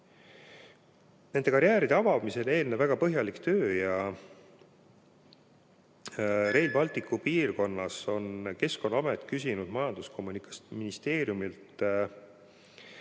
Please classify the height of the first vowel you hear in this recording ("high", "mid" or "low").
mid